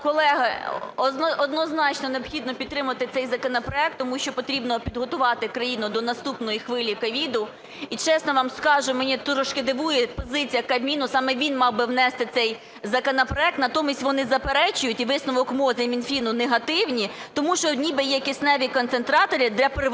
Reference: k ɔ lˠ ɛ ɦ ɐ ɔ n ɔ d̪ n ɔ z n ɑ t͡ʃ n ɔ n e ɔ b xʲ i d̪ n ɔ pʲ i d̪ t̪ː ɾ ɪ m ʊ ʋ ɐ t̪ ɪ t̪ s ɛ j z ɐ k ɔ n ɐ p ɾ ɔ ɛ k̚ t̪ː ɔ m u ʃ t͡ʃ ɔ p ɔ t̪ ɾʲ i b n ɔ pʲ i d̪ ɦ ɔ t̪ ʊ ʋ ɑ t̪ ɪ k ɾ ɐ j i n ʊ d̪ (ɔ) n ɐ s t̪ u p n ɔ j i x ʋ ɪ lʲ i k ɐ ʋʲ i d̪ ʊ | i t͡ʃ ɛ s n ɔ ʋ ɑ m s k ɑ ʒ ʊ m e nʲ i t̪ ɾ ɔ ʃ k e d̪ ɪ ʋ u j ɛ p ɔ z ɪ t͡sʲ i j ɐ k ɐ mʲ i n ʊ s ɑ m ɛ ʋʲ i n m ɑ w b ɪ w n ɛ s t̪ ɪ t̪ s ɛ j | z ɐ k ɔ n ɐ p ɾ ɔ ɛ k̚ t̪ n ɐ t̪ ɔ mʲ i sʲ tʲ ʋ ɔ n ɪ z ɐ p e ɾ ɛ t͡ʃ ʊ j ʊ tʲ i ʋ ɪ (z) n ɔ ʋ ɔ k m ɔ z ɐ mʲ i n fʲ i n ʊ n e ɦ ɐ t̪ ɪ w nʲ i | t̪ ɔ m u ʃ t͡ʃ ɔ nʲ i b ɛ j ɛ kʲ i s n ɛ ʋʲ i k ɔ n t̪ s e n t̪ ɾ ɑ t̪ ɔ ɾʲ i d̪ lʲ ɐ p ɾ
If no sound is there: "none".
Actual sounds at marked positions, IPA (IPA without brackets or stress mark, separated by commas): ɔ, s